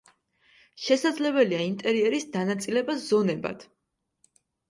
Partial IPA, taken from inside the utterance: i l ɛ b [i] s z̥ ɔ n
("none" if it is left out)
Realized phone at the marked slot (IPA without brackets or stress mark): a